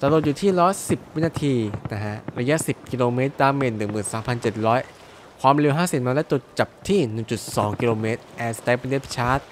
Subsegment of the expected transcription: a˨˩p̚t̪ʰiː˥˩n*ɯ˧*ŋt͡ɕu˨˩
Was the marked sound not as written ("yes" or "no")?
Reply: yes